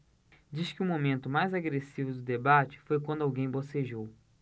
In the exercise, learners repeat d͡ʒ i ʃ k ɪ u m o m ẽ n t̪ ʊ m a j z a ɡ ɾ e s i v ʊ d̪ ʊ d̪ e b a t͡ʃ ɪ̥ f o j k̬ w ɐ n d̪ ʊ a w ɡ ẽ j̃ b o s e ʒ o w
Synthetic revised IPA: d͡ʒ i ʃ k ɪ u m o m ẽ n t̪ ʊ m a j z a ɡ ɾ e s i v ʊ d̪ ʊ d̪ e b a t͡ʃ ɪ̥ f o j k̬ w ɐ̃ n d̪ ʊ a w ɡ ẽ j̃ b o s e ʒ o w